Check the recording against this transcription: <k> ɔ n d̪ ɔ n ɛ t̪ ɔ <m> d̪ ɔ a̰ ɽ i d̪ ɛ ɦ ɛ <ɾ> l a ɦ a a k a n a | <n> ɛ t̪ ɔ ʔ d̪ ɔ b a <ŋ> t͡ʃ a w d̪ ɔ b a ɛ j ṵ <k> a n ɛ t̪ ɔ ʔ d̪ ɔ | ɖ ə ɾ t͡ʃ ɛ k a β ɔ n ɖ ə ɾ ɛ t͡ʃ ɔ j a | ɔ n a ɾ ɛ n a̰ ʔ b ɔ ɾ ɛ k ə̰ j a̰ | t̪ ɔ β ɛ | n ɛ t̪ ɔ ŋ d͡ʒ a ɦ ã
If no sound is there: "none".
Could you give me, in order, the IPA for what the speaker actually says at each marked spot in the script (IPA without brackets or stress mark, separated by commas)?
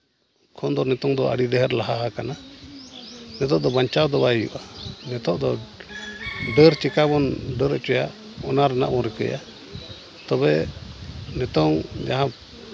kʰ, ŋ, ɾ, n, ɲ, ʔ